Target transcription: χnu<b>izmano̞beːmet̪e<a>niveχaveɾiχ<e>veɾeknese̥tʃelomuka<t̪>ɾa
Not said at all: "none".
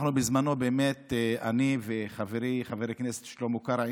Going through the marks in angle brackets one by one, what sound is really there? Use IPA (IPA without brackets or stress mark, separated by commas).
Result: b, a, a, none